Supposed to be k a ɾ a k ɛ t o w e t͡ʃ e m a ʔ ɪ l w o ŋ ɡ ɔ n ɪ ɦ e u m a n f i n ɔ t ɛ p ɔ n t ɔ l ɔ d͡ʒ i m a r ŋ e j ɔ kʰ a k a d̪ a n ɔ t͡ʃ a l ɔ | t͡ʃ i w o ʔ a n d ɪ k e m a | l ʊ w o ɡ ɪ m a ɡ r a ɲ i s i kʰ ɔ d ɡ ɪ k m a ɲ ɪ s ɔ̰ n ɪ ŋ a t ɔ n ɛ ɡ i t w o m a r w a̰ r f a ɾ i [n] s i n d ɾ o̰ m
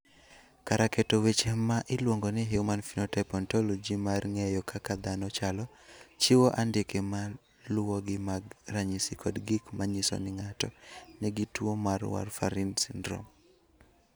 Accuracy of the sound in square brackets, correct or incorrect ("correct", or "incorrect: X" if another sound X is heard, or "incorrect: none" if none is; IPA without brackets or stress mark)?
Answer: correct